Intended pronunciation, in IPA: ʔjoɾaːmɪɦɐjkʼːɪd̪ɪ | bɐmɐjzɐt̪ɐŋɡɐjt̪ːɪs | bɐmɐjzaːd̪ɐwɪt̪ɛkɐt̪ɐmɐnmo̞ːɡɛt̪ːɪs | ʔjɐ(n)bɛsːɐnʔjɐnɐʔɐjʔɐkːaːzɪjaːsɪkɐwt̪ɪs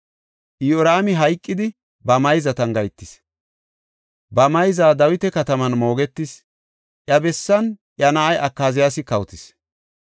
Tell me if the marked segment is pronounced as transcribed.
no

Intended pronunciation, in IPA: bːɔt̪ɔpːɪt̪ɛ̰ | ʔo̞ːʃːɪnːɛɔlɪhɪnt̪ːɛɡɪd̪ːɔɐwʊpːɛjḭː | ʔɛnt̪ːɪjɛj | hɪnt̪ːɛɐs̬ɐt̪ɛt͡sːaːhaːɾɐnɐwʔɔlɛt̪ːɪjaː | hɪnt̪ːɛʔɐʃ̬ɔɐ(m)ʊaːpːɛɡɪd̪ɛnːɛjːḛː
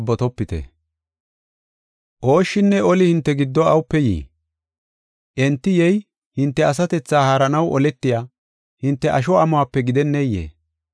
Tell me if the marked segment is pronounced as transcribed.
yes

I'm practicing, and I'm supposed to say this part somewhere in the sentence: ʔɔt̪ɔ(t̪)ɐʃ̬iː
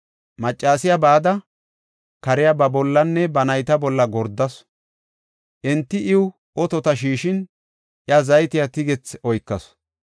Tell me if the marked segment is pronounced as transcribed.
yes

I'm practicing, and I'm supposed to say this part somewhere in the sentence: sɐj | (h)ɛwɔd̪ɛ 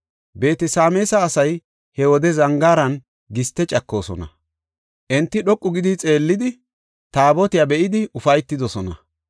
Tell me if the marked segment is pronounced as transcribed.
yes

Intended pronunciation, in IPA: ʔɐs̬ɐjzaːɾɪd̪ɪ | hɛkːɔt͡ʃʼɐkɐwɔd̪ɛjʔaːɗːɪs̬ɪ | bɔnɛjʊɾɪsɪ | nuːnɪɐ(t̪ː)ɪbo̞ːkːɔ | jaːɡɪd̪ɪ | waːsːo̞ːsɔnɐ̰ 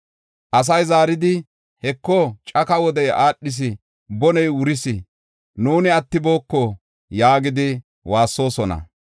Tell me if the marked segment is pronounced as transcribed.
yes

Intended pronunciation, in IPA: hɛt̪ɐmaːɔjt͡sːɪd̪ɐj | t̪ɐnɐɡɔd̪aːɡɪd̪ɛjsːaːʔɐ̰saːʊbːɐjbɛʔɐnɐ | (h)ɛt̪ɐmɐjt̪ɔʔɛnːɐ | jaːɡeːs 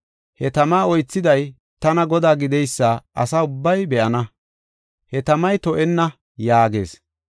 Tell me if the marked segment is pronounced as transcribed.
yes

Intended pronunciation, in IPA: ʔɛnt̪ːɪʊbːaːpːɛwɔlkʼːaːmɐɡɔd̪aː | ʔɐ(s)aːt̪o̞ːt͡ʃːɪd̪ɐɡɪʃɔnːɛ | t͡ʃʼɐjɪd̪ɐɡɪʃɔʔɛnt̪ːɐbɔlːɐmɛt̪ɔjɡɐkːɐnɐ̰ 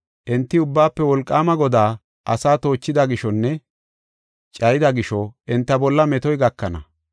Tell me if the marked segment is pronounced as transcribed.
yes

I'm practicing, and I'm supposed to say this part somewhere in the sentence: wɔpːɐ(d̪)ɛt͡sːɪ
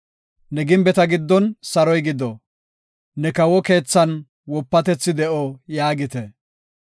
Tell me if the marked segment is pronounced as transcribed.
no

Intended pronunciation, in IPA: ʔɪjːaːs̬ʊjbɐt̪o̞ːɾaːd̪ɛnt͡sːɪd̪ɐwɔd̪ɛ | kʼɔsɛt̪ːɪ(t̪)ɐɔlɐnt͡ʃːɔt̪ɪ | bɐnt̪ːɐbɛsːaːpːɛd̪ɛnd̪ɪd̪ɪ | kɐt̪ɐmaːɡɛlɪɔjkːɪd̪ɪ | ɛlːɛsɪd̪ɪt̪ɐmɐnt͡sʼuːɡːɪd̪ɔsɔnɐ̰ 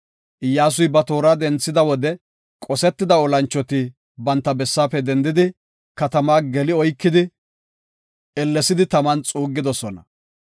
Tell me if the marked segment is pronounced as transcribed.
no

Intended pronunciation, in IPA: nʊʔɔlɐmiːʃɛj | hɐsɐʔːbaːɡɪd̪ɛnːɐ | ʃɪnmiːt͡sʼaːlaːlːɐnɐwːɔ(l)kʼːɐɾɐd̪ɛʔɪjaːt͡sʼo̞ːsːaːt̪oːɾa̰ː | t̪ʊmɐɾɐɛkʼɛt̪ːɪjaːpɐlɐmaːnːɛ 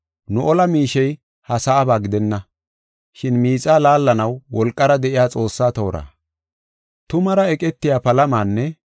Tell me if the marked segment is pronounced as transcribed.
yes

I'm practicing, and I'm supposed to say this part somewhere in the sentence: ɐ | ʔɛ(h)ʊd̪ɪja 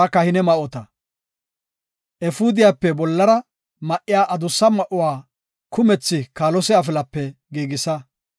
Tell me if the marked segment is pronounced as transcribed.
no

